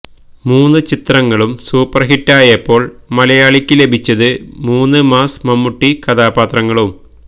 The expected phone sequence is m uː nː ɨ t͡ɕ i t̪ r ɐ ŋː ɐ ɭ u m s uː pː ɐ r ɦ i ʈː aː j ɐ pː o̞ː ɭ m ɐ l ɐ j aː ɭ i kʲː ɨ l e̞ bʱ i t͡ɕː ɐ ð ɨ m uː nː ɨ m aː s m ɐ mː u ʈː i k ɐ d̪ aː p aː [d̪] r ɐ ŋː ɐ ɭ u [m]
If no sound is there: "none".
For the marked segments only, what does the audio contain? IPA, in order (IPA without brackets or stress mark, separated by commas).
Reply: t̪, m